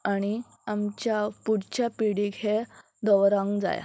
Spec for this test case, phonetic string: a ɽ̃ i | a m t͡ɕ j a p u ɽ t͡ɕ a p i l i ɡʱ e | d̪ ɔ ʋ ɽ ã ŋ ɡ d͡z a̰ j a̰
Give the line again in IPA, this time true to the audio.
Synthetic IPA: a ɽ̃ i | a m t͡ɕ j a p u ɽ t͡ɕ a p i ɽ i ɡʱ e | d̪ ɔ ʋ ɾ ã ŋ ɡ d͡z a̰ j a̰